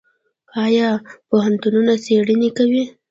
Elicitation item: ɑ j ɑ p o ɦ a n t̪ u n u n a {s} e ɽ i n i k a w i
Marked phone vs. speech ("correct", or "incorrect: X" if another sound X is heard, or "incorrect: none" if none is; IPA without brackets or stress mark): correct